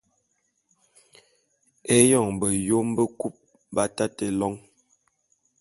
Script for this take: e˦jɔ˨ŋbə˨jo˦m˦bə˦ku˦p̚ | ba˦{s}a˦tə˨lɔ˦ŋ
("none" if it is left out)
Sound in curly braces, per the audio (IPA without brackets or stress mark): t